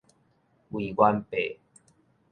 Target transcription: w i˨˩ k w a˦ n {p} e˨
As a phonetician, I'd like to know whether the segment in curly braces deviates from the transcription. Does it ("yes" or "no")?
no